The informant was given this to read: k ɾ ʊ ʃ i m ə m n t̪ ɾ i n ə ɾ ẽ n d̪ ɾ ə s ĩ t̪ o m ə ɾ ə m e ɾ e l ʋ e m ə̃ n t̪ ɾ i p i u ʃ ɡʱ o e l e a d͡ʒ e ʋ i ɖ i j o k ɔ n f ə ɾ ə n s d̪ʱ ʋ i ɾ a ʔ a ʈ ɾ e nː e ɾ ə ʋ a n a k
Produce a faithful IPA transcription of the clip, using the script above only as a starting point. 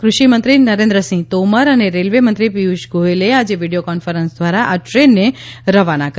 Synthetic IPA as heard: k ɾ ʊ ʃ i m ə n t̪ ɾ i n ə ɾ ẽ n d̪ ɾ ə s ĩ t̪ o m ə ɾ ə n e ɾ e l ʋ e m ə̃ n t̪ ɾ i p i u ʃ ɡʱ o e l e a d͡ʒ e ʋ i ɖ i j o k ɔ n f ə ɾ ə n s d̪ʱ ʋ a ɾ a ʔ a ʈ ɾ e nː e ɾ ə ʋ a n a k